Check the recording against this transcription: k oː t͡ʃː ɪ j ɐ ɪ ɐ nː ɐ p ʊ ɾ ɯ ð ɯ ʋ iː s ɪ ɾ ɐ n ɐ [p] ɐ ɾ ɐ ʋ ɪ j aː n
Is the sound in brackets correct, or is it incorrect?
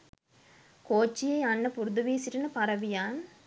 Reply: correct